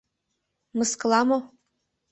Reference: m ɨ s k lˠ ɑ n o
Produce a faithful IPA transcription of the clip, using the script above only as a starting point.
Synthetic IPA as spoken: m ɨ s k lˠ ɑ m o

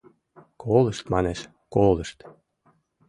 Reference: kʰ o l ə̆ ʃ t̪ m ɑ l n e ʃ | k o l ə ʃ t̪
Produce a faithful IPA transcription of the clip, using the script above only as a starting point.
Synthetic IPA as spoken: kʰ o l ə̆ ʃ t̪ m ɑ n e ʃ | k o l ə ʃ t̪

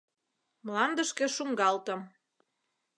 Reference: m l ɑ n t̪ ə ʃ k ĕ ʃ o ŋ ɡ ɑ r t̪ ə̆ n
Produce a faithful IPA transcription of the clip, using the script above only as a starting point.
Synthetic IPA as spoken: m l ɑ n d̪ ə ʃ k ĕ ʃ u ŋ ɡ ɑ l t̪ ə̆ m

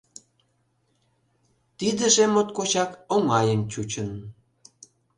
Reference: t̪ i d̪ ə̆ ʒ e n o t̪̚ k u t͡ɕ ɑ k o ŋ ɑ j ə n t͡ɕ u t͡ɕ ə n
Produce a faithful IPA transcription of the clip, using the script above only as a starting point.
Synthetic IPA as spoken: t̪ i d̪ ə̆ ʒ e m o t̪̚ k o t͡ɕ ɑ k o ŋ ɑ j ə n t͡ɕ u t͡ɕ ə n

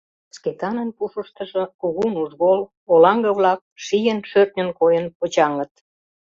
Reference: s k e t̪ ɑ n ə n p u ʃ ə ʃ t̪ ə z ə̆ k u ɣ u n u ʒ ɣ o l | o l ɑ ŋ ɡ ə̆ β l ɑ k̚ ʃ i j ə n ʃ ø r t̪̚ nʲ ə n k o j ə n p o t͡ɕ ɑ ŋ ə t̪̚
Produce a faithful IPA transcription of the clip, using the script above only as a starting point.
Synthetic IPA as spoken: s k e t̪ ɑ n ə n p u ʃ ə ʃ t̪ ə ʒ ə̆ k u ɣ u n u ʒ ɣ o l | o l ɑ ŋ ɡ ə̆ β l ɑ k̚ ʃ i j ə n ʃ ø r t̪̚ nʲ ə n k o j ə n p o t͡ɕ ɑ ŋ ə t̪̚

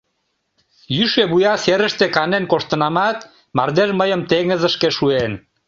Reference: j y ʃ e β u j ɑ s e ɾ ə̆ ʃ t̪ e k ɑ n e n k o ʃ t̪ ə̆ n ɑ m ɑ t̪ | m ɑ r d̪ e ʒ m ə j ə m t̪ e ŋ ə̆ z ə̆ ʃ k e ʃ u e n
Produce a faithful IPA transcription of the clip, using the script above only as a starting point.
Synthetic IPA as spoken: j y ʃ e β u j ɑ s e ɾ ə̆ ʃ t̪ e k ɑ n e n k o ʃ t̪ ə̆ n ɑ m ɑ t̪ | m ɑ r d̪ e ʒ m ə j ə m t̪ e ŋ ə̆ z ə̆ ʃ k e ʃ u e n

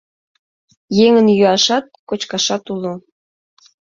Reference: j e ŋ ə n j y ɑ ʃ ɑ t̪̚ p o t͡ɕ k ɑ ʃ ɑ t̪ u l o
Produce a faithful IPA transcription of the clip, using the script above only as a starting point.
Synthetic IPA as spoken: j e ŋ ə n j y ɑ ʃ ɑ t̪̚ k o t͡ɕ k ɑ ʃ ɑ t̪ u l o

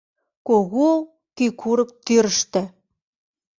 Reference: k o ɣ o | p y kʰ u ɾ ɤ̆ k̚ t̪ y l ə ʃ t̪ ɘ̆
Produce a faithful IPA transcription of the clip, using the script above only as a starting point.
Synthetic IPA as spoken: k o ɣ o | k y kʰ u ɾ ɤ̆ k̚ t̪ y ɾ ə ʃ t̪ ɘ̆

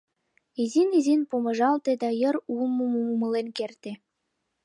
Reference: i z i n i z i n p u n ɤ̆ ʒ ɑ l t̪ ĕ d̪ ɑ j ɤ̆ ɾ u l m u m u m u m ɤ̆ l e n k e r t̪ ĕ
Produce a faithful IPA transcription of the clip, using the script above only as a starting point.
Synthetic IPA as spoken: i z i n i z i n p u m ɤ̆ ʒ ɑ l t̪ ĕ d̪ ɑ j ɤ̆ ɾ u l m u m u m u m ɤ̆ l e n k e r t̪ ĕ

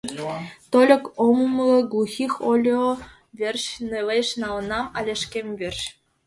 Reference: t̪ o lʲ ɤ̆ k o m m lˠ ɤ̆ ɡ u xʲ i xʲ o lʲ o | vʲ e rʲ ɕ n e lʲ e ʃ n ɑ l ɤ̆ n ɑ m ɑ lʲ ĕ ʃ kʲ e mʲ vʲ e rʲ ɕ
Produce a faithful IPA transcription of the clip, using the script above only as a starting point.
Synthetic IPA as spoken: t̪ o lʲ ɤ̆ k o m m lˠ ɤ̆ ɡ u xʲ i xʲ o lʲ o | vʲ e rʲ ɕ n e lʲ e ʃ n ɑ l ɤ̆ n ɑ m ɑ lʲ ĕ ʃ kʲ e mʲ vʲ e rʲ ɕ

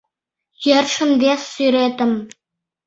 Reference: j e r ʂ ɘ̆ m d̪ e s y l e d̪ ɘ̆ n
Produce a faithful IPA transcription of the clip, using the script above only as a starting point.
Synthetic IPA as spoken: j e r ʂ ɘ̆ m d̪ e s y ɾ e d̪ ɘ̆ m

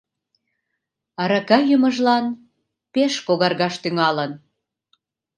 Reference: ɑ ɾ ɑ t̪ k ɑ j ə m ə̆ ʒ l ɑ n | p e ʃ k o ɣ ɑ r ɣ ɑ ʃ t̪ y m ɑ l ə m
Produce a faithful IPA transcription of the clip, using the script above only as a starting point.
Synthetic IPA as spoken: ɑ ɾ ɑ k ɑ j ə m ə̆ ʒ l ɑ n | p e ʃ k o ɣ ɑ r ɣ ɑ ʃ t̪ y ŋ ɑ l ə n

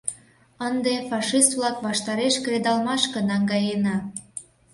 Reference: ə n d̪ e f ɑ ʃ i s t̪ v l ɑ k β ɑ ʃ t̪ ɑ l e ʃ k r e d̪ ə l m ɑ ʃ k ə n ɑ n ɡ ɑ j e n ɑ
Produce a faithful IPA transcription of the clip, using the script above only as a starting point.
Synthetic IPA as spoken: ə n d̪ e f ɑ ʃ i s t̪ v l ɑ k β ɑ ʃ t̪ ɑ ɾ e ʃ k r e d̪ ɑ l m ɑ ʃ k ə n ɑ ŋ ɡ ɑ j e n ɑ

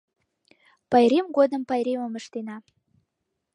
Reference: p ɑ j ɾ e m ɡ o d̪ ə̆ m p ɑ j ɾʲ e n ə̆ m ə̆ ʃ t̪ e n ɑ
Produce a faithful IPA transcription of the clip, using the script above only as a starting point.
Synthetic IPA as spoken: p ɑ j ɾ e m ɡ o d̪ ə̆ m p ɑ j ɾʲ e m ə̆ m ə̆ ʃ t̪ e n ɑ

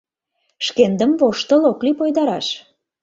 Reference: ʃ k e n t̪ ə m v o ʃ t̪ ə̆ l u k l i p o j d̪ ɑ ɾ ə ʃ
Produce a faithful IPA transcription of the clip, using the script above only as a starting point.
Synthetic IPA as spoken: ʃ k e n d̪ ə m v o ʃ t̪ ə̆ l o k l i p o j d̪ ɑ ɾ ɑ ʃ

